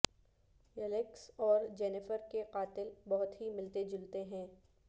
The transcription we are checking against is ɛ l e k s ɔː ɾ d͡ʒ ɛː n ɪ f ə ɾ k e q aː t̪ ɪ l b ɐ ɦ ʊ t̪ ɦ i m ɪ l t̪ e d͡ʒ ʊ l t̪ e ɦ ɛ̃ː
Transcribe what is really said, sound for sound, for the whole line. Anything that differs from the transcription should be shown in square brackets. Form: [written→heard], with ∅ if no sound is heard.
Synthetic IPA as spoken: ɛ l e k s ɔː ɾ d͡ʒ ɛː n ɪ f ə ɾ k e q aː t̪ ɪ l b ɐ ɦ ʊ t̪ ɦ i m ɪ l t̪ e d͡ʒ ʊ l t̪ e ɦ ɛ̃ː